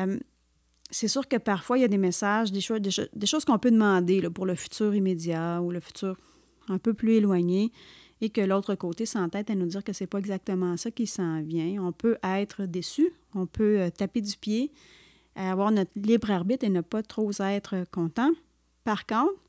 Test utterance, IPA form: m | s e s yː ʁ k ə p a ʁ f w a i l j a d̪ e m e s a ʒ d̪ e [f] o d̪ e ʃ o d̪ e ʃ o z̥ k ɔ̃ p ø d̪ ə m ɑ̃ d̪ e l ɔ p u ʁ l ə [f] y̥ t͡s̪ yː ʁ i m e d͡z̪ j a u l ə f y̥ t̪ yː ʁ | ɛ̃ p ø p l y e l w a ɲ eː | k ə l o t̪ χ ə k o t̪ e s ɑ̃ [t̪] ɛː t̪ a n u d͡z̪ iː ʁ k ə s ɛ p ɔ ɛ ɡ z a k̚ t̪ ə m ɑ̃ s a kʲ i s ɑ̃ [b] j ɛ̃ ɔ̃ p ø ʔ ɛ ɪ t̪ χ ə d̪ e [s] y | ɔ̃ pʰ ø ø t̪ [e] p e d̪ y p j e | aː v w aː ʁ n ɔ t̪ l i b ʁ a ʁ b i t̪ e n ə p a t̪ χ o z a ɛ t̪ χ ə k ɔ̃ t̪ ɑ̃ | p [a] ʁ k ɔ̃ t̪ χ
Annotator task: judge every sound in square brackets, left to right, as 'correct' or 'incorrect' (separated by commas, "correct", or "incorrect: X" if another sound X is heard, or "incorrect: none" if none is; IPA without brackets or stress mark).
incorrect: ʃ, correct, correct, incorrect: v, correct, incorrect: a, correct